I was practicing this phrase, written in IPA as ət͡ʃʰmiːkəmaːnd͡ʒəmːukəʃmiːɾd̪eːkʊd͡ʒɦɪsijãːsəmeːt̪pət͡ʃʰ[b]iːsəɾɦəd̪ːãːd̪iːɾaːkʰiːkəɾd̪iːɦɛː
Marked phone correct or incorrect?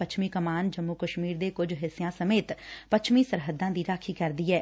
incorrect